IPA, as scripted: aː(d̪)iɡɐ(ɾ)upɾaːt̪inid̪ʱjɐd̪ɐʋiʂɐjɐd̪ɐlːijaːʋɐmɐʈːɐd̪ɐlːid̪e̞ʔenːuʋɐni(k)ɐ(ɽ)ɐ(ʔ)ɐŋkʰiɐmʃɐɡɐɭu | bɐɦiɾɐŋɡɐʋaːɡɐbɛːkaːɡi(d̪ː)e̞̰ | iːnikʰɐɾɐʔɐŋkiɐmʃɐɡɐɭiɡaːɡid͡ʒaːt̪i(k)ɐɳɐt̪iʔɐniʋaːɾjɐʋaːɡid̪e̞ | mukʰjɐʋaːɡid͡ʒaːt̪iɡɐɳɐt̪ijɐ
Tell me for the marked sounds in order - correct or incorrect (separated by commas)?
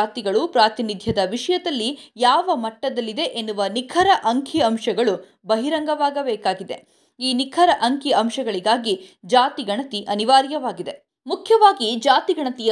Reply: incorrect, incorrect, incorrect, incorrect, correct, incorrect, incorrect